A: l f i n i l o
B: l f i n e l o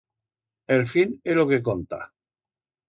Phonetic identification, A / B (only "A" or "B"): B